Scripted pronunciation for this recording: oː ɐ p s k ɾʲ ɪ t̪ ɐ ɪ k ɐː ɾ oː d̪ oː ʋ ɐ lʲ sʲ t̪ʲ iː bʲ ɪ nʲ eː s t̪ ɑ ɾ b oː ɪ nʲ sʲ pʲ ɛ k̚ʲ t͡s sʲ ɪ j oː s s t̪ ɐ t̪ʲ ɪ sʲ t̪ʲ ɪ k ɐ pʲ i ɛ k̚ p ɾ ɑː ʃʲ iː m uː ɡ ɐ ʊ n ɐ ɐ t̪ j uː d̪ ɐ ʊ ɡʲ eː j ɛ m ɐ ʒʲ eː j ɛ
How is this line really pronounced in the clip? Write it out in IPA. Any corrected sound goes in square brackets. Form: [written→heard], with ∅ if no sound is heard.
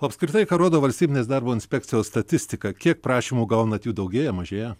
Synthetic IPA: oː ɐ p s k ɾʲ ɪ t̪ ɐ ɪ k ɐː ɾ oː d̪ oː ʋ ɐ lʲ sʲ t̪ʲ iː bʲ ɪ nʲ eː s [t̪→d̪] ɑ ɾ b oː ɪ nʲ sʲ pʲ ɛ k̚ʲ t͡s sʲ ɪ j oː s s t̪ ɐ t̪ʲ ɪ sʲ t̪ʲ ɪ k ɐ [pʲ→kʲ] i ɛ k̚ p ɾ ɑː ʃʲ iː m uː ɡ ɐ ʊ n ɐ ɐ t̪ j uː d̪ ɐ ʊ ɡʲ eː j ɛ m ɐ ʒʲ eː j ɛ